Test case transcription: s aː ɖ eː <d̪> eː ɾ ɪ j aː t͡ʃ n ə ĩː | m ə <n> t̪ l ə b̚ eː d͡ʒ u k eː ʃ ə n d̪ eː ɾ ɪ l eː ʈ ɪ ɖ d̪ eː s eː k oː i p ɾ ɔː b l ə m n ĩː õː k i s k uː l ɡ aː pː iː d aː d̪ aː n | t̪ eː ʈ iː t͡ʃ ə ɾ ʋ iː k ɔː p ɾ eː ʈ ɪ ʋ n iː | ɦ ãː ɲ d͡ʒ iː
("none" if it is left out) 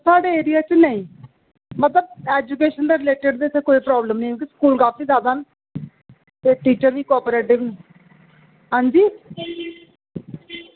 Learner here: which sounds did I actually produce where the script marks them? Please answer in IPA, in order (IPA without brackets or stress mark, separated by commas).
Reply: none, none